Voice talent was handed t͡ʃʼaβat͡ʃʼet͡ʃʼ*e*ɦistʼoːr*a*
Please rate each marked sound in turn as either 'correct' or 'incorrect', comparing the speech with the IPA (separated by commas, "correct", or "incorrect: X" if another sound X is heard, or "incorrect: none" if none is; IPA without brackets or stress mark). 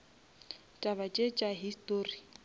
incorrect: a, incorrect: i